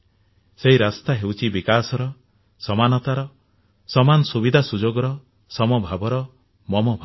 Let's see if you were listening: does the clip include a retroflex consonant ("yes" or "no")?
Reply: no